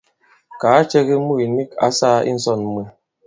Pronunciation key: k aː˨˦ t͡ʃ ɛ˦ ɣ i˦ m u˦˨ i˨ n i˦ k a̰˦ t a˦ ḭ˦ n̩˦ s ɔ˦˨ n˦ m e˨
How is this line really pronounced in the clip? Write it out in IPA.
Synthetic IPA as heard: k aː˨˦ t͡ʃ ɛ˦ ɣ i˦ m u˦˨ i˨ n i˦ k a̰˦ s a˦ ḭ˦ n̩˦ s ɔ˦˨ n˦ m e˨

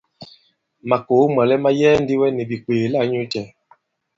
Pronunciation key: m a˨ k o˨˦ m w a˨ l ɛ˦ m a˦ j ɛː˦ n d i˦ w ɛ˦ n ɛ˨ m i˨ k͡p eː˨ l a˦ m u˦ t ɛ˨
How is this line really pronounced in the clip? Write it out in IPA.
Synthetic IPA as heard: m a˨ k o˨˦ m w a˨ l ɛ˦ m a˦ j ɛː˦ n d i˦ w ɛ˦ n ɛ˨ b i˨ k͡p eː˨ l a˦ ɲ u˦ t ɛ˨

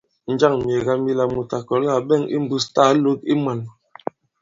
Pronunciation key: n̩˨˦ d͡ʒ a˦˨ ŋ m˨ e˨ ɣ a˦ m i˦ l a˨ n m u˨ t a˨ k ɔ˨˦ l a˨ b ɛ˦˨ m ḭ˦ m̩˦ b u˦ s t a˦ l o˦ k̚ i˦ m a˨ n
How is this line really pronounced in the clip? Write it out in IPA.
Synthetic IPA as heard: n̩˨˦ d͡ʒ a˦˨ ŋ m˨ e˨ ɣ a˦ m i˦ l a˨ m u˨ t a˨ k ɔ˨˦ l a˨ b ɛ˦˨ ŋ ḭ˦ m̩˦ b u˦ s t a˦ l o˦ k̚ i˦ m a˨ n

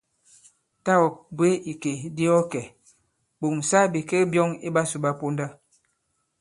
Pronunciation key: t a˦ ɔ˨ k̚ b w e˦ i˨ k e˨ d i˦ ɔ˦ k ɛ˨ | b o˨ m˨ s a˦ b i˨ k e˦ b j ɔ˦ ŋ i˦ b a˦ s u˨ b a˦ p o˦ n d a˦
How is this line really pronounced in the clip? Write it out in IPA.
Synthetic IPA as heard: t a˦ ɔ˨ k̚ b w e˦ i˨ k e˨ d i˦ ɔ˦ k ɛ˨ | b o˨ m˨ s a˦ b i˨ k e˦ b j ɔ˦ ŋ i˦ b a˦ s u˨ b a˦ p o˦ n d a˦

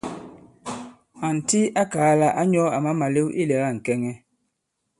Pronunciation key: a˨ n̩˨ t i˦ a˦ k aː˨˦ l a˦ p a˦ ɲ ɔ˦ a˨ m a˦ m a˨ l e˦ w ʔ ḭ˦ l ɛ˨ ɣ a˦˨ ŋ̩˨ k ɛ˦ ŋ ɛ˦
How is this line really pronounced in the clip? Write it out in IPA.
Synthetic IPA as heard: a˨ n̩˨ t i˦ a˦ k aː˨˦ l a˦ ʔ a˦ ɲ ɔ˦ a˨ m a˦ m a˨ l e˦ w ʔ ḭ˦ l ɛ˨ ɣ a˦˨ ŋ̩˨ k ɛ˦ ŋ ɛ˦

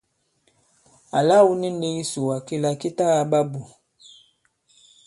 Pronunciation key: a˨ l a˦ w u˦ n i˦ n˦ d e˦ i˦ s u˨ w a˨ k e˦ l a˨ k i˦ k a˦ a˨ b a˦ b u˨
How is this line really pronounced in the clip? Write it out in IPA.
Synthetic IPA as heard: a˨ l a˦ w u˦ n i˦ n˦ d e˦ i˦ s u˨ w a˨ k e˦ l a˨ k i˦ t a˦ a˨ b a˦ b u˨

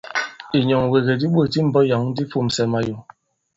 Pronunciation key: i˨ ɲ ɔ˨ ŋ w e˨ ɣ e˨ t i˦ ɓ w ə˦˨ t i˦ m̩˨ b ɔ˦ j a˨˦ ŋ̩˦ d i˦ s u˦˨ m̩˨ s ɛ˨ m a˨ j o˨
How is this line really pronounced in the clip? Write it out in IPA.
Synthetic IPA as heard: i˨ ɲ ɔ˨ ŋ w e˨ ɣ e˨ d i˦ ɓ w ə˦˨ t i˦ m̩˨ b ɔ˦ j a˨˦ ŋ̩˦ d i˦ f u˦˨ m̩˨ s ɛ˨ m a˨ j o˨

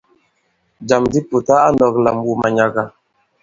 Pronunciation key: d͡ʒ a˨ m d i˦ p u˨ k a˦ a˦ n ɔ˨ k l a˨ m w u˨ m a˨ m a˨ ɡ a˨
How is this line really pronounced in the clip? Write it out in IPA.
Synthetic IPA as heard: d͡ʒ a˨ m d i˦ p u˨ t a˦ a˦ n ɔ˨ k l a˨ m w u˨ m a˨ ɲ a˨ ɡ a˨

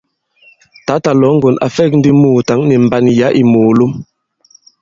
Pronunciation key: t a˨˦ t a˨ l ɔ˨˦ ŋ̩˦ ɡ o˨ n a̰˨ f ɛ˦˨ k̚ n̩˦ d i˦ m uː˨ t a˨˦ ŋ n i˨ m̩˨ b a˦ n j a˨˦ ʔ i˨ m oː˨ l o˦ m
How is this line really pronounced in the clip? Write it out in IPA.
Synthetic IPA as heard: t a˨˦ t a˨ l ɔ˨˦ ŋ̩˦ ɡ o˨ n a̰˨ f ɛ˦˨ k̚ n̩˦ d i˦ m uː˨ t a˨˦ ŋ n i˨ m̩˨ b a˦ n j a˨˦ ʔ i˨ m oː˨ l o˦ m

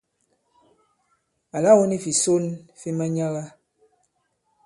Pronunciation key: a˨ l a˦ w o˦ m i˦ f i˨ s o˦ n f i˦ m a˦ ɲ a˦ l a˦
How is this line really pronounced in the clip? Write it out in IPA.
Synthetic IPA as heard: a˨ l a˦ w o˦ n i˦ f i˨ s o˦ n f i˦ m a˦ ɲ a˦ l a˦

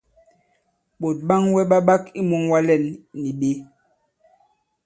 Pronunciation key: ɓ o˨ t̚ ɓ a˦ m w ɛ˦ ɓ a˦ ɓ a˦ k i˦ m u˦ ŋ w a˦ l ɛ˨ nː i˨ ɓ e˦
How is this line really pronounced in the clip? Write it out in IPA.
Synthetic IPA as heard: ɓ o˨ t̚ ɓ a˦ ŋ w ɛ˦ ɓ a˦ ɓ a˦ k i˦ m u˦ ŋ w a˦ l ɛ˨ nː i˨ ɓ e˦

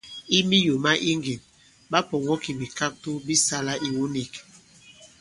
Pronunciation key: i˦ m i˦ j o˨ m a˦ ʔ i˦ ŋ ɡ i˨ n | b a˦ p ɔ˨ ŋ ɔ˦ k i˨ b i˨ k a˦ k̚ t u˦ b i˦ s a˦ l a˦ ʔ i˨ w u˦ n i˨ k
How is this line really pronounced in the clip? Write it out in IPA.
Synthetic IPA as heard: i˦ m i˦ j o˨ m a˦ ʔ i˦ ŋ ɡ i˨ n | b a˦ p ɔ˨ ŋ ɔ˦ k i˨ b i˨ k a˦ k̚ t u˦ b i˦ s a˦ l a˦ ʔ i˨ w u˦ n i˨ k

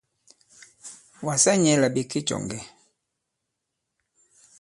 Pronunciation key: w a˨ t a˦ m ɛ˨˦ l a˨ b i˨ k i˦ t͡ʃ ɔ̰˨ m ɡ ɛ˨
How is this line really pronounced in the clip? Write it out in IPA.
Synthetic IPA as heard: w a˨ s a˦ ɲ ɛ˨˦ l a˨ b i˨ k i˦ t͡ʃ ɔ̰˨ ŋ ɡ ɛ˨

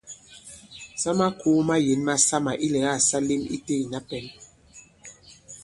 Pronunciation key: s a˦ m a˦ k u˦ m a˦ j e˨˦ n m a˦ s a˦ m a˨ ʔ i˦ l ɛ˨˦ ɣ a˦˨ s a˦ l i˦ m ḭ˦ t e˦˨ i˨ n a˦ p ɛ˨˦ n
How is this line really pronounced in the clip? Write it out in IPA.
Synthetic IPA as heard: s a˦ m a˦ k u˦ m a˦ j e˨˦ n m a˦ s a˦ m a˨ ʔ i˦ l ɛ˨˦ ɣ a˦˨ s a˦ l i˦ m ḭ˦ t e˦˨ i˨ n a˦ p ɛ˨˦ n

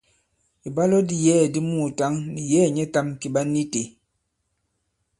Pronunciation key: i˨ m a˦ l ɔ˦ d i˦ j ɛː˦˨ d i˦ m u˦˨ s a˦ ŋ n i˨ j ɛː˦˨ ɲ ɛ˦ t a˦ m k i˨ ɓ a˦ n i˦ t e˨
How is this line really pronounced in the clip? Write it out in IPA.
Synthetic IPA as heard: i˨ b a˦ l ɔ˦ d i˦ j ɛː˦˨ d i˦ m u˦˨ t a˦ ŋ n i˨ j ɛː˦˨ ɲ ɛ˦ t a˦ m k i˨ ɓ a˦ n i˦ t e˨

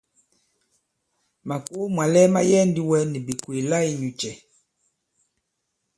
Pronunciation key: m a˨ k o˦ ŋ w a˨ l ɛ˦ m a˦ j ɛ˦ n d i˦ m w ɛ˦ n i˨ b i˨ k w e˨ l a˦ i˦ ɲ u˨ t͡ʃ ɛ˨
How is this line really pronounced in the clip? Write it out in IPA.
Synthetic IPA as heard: m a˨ k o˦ m w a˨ l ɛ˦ m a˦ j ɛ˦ n d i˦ w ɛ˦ n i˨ b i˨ k w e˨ l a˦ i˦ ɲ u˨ t͡ʃ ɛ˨

